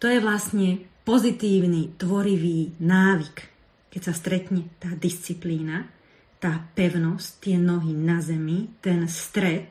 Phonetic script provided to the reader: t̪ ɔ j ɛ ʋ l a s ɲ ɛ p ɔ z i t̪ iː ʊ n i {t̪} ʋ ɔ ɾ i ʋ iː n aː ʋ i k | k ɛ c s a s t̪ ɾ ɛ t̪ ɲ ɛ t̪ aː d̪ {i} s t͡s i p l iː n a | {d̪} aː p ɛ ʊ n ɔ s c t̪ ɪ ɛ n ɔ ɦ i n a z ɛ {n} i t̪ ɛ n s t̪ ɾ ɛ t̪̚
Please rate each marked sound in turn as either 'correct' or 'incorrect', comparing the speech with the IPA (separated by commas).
correct, correct, incorrect, incorrect